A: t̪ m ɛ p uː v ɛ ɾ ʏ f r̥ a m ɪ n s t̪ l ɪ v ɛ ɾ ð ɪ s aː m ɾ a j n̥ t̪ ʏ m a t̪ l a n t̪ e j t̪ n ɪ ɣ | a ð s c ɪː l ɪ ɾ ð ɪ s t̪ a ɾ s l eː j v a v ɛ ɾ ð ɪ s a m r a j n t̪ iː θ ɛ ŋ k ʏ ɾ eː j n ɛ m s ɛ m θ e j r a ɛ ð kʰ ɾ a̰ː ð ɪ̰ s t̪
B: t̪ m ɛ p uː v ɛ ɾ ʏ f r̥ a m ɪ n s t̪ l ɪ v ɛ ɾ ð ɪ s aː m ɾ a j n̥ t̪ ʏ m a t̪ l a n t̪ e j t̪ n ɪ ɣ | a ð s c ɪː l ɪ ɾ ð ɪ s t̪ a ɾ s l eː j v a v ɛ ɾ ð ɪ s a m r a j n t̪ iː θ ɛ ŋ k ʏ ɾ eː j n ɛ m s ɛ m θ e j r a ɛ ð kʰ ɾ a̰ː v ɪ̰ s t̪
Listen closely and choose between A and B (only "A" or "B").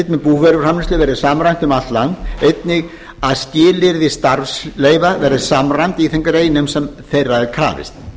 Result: B